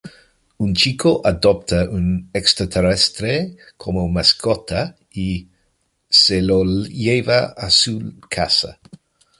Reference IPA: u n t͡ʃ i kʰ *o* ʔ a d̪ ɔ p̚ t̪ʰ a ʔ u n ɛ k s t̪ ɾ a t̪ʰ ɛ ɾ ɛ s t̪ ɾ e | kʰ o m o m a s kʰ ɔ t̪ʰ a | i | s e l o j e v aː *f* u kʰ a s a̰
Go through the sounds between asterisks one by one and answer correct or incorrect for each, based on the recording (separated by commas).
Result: correct, incorrect